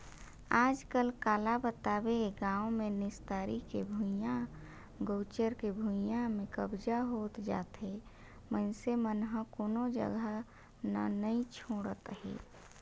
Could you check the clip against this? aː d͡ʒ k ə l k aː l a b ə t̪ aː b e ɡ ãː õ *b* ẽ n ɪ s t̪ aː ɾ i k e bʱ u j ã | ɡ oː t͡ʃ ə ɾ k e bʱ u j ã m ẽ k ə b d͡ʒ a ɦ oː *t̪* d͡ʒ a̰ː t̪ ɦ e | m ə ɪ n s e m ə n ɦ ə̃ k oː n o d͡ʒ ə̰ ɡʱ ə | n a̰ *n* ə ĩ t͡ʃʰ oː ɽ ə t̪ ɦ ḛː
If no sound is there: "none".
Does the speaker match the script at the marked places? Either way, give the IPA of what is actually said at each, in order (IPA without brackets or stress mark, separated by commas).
m, t̪, n